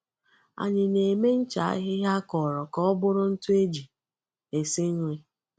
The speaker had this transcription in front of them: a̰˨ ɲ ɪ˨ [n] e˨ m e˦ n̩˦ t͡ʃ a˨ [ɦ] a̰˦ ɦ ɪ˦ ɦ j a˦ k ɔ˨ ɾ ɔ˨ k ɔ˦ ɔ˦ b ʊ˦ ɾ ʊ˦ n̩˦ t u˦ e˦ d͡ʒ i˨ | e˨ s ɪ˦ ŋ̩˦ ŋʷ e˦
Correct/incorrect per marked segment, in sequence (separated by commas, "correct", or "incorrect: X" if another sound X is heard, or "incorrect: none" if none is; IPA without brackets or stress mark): correct, incorrect: none